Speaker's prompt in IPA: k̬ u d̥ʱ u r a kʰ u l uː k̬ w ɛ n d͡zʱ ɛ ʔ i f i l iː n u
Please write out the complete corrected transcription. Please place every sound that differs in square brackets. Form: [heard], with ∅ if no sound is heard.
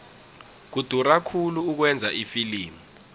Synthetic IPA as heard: k̬ u d̥ʱ u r a kʰ u l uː k̬ w ɛ n d͡zʱ [a] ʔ i f i l iː [m] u